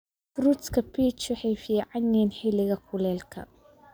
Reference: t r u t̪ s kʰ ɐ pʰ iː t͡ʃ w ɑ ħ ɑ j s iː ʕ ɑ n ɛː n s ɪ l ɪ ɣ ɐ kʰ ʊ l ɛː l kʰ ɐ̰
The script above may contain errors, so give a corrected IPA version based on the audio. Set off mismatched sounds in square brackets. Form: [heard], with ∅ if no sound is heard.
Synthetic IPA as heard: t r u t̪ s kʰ ɐ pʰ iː t͡ʃ w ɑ ħ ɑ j [f] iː ʕ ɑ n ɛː n [ħ] ɪ l ɪ ɣ ɐ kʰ ʊ l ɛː l kʰ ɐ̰